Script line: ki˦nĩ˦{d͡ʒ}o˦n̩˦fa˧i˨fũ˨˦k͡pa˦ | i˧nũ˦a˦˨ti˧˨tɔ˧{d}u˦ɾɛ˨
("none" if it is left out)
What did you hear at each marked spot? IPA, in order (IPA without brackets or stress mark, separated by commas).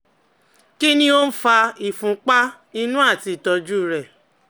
none, d͡ʒ